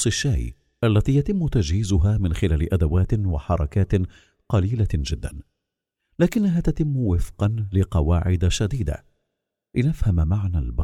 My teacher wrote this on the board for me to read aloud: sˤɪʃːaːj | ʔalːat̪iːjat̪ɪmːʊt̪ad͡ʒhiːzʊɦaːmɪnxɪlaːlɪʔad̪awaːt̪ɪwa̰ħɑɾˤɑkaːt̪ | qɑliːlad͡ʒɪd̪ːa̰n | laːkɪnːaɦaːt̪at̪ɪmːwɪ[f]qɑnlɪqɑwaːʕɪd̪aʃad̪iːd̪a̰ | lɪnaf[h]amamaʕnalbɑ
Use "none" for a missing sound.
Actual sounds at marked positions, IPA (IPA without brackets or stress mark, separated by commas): f, h